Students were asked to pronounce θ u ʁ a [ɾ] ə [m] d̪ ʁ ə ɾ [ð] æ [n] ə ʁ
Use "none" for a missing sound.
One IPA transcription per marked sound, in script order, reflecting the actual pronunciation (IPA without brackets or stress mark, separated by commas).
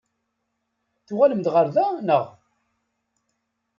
l, m, ð, n